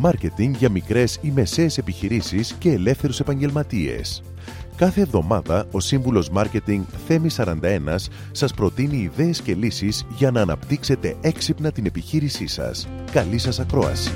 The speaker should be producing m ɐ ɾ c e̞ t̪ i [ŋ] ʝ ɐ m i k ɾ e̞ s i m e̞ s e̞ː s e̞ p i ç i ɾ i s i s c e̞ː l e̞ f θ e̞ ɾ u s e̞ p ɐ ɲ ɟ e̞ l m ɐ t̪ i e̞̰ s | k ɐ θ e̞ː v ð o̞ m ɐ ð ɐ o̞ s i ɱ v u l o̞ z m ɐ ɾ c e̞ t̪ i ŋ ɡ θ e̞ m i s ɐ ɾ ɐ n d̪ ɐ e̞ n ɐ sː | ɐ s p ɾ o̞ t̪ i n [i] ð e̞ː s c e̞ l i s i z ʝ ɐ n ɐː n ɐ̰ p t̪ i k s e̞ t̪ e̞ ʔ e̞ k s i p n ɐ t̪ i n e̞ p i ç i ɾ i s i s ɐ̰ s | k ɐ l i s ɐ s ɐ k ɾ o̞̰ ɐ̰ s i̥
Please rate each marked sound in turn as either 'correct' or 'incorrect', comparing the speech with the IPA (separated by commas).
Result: correct, incorrect